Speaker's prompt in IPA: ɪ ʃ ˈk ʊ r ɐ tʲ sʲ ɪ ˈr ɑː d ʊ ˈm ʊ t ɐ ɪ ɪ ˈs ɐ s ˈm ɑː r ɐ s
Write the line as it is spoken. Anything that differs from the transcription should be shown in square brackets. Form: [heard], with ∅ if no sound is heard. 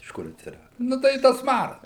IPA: ɪ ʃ ˈk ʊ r ɐ tʲ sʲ ɪ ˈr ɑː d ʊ [ˈn] ʊ t ɐ ɪ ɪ [ˈt] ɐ s ˈm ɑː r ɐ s

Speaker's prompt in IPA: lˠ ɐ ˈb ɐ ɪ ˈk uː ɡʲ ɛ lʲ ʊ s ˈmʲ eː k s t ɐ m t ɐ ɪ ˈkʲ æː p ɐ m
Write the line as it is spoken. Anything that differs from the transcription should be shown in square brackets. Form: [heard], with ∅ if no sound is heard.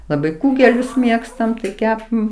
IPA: lˠ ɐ ˈb ɐ ɪ ˈk uː ɡʲ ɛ lʲ ʊ s ˈmʲ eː k s t ɐ m t ɐ ɪ ˈkʲ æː p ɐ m

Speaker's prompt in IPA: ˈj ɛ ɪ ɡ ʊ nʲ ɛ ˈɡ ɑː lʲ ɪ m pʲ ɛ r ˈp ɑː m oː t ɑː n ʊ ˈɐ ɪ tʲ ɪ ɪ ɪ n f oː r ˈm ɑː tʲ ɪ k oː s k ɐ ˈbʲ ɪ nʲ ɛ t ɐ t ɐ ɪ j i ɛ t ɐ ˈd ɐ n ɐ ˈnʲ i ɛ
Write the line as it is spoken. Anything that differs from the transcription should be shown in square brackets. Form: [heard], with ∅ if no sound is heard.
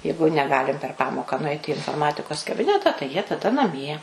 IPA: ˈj ɛ ɪ ɡ ʊ nʲ ɛ ˈɡ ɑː lʲ ɪ m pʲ ɛ r ˈp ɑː m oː [k] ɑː n ʊ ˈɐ ɪ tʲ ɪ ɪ ɪ n f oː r ˈm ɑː tʲ ɪ k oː s k ɐ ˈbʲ ɪ nʲ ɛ t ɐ t ɐ ɪ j i ɛ t ɐ ˈd ɐ n ɐ [ˈmʲ] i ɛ

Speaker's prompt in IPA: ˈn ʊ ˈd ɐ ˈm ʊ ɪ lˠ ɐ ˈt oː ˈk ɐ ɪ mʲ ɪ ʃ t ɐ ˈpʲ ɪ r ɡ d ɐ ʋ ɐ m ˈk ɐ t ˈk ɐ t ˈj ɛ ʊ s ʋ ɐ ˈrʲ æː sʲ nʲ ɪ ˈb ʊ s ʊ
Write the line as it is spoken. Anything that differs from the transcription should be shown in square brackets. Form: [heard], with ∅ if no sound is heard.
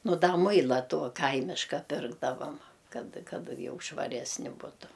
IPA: ˈn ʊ ˈd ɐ ˈm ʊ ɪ lˠ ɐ ˈt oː ˈk ɐ ɪ mʲ ɪ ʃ [k] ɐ ˈpʲ ɪ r ɡ d ɐ ʋ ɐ m ˈk ɐ t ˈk ɐ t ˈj ɛ ʊ [ʃ] ʋ ɐ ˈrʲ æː sʲ nʲ ɪ ˈb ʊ [t] ʊ

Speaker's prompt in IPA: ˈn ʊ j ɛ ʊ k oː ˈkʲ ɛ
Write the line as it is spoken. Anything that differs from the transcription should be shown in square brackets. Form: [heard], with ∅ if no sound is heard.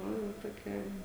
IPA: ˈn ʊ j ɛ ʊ [t] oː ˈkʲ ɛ

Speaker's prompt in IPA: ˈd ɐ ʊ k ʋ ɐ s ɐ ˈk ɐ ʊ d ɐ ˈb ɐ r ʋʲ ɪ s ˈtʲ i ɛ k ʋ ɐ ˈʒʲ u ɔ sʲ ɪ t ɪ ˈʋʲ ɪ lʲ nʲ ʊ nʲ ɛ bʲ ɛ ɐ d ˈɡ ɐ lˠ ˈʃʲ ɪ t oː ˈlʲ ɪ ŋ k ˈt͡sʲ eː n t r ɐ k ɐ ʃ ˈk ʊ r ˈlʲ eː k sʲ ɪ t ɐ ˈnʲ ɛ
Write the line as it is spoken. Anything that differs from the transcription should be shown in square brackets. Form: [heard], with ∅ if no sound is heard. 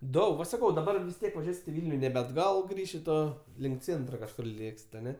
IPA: ˈd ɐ ʊ k ʋ ɐ s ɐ ˈk ɐ ʊ d ɐ ˈb ɐ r ʋʲ ɪ s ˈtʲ i ɛ k ʋ ɐ ˈʒʲ u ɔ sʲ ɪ t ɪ ˈʋʲ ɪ lʲ nʲ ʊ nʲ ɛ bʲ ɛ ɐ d ˈɡ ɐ lˠ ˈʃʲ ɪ t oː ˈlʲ ɪ ŋ k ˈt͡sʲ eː n t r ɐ k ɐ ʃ ˈk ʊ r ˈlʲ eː k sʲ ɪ t ɐ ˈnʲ ɛ

